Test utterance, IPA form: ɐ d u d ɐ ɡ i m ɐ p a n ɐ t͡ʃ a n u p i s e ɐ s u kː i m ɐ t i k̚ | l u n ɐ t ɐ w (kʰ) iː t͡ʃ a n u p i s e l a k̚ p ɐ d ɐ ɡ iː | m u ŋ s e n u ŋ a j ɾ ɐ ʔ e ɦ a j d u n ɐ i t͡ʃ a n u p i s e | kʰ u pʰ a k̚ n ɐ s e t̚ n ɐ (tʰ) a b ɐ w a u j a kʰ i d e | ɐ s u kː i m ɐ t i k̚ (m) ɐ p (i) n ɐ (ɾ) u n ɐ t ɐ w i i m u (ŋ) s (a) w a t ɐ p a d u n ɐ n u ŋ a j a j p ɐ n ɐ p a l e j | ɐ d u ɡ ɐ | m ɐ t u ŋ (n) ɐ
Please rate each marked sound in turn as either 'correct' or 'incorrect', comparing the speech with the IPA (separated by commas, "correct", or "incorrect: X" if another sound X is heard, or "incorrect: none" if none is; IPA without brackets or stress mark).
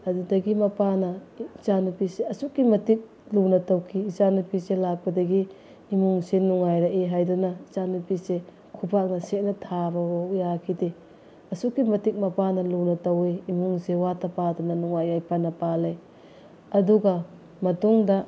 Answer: correct, correct, correct, incorrect: a, incorrect: l, correct, incorrect: e, incorrect: d